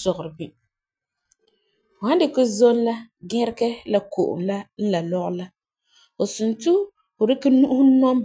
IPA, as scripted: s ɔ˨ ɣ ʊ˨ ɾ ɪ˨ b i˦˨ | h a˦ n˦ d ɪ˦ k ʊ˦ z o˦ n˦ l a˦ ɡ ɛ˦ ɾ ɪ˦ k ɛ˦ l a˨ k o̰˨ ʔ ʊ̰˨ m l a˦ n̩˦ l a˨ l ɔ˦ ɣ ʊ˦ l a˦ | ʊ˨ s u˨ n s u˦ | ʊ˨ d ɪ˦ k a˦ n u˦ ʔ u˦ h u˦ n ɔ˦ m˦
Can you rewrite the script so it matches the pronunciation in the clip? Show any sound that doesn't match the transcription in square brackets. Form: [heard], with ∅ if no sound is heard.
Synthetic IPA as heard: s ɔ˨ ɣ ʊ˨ ɾ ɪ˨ b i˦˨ | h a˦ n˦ d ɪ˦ k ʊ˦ z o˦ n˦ l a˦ ɡ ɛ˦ ɾ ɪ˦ k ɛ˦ l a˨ k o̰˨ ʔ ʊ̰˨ m l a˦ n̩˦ l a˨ l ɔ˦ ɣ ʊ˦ l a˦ | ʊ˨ s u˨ n [t] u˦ | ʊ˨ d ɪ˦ k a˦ n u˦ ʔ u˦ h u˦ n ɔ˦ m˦